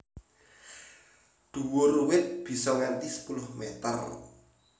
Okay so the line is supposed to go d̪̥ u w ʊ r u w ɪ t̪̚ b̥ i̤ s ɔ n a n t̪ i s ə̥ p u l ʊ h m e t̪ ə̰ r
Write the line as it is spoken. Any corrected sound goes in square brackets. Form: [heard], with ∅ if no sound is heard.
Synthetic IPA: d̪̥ u w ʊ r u w ɪ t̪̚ b̥ i̤ s ɔ [ŋ] a n t̪ i s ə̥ p u l ʊ h m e t̪ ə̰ r